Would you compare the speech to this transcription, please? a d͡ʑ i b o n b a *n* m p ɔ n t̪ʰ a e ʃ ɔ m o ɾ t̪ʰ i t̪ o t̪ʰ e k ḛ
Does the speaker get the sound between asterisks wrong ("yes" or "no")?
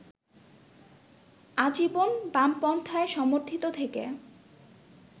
yes